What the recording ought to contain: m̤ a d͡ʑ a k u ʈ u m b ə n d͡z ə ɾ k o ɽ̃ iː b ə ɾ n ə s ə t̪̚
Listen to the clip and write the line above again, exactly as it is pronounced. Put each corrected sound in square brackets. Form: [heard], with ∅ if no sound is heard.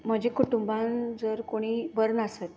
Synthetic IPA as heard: m̤ [ə] d͡ʑ [e] k u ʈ u m b [a] n d͡z ə ɾ k o ɽ̃ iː b ə ɾ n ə s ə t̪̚